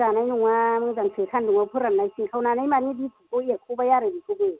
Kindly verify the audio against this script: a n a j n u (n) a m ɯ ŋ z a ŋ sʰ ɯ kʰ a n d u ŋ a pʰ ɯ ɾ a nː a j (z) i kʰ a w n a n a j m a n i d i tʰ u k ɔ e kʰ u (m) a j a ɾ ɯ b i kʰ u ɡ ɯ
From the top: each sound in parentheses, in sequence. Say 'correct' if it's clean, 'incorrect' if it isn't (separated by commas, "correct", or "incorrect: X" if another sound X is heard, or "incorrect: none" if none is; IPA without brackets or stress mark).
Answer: incorrect: ŋ, incorrect: s, incorrect: b